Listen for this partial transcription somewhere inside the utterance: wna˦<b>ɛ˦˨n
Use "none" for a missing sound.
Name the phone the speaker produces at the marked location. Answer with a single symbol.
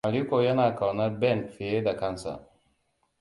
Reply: b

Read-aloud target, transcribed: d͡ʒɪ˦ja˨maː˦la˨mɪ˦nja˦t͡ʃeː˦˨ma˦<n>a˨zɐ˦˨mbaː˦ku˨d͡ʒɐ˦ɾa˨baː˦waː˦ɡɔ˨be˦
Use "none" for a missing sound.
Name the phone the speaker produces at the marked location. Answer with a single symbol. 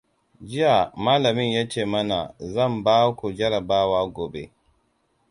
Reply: n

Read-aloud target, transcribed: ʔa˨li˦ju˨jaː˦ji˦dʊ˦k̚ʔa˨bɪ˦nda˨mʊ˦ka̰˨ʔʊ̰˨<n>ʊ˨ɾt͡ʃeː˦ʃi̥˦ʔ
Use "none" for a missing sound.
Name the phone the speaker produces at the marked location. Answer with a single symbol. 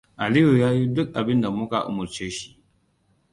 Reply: m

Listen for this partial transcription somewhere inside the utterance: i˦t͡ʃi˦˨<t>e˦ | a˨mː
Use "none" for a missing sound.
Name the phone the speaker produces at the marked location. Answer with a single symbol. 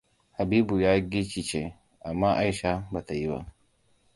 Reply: t͡ʃ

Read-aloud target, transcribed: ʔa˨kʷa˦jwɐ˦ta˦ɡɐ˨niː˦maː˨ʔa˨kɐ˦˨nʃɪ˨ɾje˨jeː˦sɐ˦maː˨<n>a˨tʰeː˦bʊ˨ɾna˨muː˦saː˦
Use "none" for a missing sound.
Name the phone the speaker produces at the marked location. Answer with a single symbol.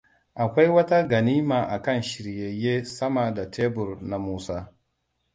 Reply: d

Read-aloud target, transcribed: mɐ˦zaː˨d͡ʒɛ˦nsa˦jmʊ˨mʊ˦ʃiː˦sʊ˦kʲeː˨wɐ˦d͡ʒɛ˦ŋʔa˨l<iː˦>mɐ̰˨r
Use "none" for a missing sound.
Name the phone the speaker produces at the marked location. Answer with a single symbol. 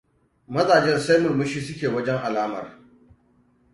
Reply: aː˦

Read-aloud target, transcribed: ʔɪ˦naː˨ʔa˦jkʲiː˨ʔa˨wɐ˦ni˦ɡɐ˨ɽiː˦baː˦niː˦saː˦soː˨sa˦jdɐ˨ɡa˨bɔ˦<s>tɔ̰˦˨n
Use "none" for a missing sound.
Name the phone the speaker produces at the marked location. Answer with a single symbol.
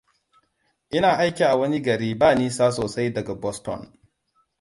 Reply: s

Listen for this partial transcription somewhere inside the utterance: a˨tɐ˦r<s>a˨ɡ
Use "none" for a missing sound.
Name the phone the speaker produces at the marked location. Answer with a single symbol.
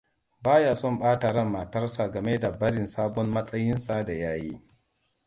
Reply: s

